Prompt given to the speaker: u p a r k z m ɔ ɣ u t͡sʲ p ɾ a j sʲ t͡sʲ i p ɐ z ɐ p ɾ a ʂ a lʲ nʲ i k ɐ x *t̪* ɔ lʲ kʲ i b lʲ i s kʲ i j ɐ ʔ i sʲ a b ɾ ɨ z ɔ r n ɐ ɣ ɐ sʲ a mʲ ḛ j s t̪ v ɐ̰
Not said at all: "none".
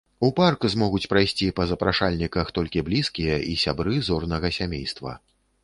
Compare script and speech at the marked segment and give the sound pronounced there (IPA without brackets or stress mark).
t̪